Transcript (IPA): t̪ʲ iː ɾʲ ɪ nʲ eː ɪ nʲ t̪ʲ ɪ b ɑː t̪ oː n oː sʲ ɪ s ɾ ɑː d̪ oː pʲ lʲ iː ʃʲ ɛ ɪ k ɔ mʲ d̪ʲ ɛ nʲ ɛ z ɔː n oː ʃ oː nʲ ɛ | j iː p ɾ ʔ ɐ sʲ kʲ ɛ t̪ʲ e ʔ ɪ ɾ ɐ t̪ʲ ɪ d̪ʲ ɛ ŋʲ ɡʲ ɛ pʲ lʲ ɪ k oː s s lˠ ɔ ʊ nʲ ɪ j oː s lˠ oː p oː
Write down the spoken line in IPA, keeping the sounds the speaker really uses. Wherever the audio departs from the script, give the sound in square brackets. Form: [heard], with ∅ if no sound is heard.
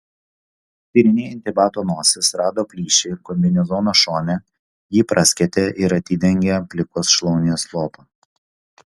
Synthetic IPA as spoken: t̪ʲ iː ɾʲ ɪ nʲ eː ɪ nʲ t̪ʲ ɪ b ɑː t̪ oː n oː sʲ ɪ s ɾ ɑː d̪ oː pʲ lʲ iː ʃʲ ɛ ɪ k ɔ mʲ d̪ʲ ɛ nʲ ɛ z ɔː n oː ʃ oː nʲ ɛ | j iː p ɾ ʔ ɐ sʲ kʲ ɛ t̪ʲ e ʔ ɪ ɾ ɐ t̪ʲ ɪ d̪ʲ ɛ ŋʲ ɡʲ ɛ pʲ lʲ ɪ k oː s [ʃ] lˠ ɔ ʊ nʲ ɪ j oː s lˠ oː p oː